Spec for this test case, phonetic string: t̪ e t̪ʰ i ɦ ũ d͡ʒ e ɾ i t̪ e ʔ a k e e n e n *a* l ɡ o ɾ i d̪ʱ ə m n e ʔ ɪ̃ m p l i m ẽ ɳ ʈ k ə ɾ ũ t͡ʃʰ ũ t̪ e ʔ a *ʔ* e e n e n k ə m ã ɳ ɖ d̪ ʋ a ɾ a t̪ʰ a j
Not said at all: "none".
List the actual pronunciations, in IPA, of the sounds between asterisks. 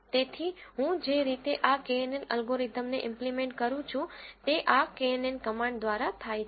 ə, k

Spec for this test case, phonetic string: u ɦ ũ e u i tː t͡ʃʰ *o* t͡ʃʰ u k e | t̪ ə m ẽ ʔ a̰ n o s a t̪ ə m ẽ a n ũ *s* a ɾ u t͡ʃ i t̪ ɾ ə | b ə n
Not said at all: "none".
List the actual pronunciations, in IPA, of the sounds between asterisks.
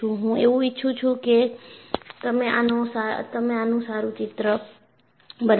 u, s

